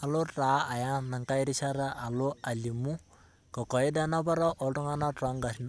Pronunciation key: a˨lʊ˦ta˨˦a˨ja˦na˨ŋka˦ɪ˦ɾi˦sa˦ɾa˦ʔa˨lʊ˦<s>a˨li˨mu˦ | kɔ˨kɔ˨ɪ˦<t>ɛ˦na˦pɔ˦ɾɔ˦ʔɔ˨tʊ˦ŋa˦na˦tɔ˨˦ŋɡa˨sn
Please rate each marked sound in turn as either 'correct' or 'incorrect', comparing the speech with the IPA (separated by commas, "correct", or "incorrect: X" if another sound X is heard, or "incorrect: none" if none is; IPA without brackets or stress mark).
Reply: incorrect: none, incorrect: d